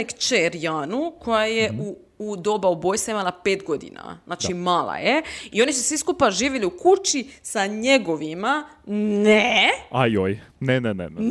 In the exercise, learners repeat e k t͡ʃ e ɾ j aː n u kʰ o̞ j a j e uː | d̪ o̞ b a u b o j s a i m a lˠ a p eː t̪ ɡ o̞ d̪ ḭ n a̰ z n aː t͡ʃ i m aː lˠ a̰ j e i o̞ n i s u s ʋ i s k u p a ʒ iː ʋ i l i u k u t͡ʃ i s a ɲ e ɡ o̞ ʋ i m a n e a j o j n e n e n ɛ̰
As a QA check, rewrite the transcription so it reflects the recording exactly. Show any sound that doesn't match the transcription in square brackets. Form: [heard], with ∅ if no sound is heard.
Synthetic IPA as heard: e k t͡ʃ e ɾ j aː n u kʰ o̞ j a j e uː | d̪ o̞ b a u b o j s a i m a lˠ a p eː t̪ ɡ o̞ d̪ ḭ n a̰ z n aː t͡ʃ i m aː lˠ a̰ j e i o̞ n i s u s ʋ i s k u p a ʒ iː ʋ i l i u k u t͡ʃ i s a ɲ e ɡ o̞ ʋ i m a n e a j o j n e n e n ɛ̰